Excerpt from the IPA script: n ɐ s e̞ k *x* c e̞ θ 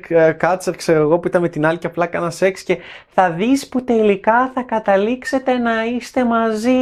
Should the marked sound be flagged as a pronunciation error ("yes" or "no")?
yes